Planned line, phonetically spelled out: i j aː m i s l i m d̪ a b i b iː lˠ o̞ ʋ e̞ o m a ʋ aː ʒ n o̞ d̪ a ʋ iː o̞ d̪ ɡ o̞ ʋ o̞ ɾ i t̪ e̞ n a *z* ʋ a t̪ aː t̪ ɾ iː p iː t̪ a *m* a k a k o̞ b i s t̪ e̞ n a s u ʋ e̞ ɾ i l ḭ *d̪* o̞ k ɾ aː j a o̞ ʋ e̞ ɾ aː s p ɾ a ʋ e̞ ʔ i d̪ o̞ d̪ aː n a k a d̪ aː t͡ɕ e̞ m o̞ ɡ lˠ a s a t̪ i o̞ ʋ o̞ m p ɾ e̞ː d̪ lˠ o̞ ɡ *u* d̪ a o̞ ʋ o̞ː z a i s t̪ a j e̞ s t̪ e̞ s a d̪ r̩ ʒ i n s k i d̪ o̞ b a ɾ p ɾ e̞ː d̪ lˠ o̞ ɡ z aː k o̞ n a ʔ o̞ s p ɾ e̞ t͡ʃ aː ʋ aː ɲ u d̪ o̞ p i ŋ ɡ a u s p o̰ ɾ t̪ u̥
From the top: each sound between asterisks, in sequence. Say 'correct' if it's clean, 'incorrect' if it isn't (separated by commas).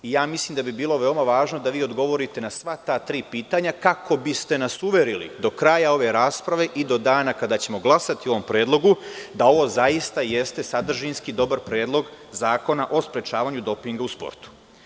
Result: incorrect, incorrect, correct, correct